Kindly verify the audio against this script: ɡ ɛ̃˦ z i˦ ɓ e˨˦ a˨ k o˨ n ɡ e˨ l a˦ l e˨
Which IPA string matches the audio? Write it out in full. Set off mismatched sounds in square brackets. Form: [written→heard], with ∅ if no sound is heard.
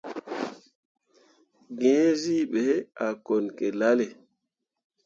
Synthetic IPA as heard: ɡ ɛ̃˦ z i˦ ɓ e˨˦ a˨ k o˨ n [ɡ→k] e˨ l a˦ l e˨

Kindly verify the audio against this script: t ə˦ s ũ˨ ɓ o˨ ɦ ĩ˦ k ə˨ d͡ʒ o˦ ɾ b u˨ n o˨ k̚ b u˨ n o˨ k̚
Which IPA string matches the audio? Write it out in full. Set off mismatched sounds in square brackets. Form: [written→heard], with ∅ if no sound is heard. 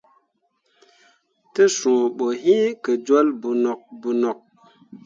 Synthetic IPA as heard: t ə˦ s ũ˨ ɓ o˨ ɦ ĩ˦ k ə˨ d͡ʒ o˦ [ɾ→l] b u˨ n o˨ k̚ b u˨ n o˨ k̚

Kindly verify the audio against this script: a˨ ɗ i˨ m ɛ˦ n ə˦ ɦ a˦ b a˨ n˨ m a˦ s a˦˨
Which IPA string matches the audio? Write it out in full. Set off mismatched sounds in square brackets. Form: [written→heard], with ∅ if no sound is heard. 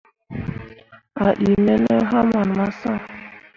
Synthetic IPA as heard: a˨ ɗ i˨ m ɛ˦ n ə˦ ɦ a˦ [b→m] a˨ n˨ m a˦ s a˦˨

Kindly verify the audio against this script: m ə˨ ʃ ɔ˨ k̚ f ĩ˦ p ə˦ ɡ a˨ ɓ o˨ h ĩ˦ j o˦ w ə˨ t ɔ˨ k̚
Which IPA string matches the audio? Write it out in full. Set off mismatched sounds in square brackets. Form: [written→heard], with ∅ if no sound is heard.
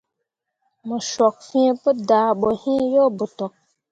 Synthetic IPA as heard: m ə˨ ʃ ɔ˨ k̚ f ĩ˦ p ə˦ [ɡ→d] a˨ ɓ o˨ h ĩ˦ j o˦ [w→b] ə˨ t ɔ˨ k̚

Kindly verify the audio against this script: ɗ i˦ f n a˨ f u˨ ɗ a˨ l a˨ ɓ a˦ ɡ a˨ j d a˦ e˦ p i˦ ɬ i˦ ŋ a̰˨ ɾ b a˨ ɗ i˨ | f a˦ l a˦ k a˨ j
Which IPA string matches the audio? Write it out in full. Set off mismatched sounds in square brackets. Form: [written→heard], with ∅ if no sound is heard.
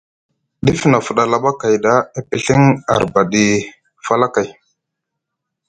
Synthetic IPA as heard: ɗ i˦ f n a˨ f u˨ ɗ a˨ l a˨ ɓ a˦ [ɡ→k] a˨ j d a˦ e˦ p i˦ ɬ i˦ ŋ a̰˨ ɾ b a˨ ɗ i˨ | f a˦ l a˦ k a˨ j

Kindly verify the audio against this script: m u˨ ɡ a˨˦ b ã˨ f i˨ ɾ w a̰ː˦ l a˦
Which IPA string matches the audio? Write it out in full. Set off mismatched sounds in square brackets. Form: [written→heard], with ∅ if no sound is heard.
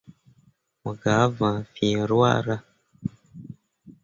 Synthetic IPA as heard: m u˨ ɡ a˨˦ [b→v] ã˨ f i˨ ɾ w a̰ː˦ [l→ɾ] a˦

